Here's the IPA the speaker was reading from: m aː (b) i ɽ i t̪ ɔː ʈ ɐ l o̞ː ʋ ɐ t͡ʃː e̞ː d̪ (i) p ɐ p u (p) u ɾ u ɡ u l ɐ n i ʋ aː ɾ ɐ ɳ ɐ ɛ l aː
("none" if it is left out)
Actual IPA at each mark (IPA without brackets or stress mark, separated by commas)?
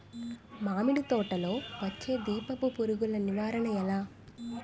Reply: m, iː, p